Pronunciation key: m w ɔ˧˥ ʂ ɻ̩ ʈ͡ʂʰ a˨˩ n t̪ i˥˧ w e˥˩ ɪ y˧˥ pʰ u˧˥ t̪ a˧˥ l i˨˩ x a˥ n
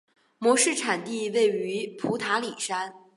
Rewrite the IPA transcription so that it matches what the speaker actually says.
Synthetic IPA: m w ɔ˧˥ ʂ ɻ̩ ʈ͡ʂʰ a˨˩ n t̪ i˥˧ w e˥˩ ɪ y˧˥ pʰ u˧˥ t̪ʰ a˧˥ l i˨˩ ʂ a˥ n